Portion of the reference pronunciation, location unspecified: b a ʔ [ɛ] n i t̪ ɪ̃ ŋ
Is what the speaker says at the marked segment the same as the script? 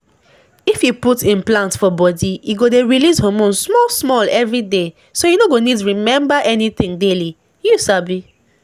yes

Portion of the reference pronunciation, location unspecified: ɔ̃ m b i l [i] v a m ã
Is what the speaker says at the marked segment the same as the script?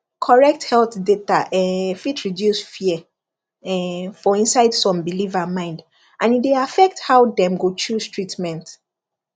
yes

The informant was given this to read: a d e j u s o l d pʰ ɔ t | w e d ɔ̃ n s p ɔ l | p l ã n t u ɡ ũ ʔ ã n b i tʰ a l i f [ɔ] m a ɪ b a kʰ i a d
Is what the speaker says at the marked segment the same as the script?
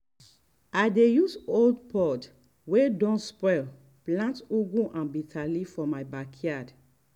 yes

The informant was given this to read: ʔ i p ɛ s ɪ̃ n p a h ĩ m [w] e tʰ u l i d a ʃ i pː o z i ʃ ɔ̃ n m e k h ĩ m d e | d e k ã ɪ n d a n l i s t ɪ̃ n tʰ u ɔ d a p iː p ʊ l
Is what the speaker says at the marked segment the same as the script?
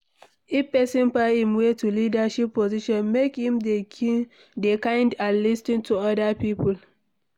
yes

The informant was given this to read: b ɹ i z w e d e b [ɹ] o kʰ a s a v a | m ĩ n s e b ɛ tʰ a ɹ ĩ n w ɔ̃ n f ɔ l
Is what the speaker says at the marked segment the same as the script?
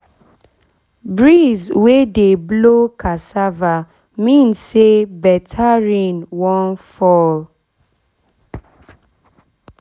no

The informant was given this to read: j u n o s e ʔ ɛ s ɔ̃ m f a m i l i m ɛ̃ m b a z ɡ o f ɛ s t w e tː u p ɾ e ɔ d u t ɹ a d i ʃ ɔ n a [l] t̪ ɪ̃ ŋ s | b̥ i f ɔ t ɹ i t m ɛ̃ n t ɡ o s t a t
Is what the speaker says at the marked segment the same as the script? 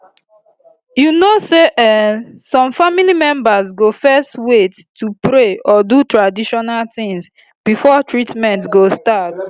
yes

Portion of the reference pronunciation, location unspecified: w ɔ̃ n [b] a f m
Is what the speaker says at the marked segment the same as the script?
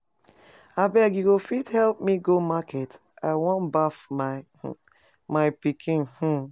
yes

